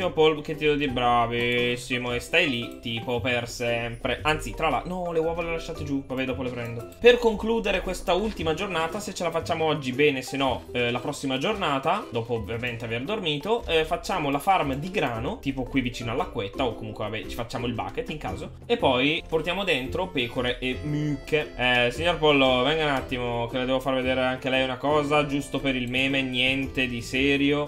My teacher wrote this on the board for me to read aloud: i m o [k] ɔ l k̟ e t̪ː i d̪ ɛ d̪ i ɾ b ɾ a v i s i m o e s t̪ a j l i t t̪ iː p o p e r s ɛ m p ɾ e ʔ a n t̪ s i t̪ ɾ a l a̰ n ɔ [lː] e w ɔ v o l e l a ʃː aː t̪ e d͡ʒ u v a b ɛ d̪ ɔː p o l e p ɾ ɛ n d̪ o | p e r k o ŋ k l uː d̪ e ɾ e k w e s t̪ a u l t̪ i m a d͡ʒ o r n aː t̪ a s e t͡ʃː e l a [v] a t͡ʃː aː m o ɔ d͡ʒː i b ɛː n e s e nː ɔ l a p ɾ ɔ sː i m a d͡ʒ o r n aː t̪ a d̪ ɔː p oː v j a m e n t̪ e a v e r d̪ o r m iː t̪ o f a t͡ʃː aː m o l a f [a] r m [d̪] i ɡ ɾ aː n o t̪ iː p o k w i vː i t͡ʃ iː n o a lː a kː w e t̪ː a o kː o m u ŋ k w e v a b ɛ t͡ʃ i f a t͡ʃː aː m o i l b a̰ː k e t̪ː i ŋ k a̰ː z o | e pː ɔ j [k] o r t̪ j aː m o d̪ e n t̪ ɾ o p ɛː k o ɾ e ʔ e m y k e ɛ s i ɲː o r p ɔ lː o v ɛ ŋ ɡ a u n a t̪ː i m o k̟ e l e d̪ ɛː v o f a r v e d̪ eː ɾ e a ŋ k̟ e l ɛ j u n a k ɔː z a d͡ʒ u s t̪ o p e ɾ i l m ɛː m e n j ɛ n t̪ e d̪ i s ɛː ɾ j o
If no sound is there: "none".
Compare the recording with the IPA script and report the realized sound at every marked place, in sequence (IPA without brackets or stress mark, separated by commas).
p, l, f, a, d̪, p